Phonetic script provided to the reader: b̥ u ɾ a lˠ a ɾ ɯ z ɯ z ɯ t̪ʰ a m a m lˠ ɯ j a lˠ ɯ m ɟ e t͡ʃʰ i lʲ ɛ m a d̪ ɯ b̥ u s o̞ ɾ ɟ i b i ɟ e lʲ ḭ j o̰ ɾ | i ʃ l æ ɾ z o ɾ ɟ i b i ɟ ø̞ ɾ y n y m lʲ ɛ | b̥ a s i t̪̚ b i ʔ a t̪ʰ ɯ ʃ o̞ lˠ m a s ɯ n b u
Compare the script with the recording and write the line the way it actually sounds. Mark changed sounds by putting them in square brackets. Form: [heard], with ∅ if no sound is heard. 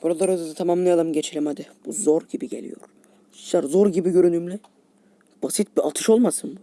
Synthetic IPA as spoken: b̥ u ɾ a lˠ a ɾ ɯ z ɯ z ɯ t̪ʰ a m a m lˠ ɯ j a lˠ ɯ m ɟ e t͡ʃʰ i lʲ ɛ m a d̪ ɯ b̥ u [z] o̞ ɾ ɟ i b i ɟ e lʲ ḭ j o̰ ɾ | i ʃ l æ ɾ z o ɾ ɟ i b i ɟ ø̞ ɾ y n y m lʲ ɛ | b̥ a s i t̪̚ b i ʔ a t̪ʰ ɯ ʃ o̞ lˠ m a s ɯ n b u